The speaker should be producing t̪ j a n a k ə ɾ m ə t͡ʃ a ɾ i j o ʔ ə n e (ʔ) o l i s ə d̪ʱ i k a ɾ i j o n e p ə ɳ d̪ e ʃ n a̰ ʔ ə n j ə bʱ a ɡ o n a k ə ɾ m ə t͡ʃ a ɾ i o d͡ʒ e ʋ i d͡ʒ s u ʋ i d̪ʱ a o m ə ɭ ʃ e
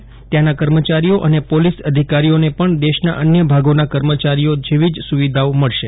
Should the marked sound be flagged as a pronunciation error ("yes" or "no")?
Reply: yes